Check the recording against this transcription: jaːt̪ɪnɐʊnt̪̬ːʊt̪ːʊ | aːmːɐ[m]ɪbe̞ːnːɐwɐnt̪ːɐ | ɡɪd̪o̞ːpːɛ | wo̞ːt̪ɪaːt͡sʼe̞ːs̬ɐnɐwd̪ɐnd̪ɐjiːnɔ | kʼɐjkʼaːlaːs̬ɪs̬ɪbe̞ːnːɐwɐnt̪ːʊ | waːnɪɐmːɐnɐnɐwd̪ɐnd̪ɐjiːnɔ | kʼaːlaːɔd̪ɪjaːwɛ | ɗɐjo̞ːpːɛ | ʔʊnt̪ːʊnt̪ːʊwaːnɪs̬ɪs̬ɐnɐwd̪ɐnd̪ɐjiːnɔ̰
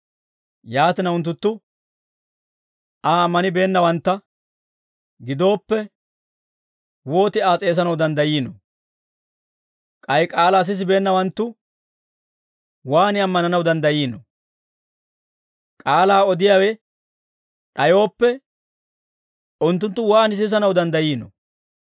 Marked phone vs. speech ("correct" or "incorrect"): incorrect